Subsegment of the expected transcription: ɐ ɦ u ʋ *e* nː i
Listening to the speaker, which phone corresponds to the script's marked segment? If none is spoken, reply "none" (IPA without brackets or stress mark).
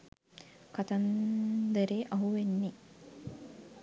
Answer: e